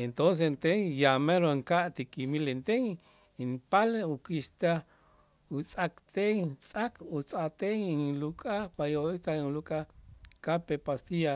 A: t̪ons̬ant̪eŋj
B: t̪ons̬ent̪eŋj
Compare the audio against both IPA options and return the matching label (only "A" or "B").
B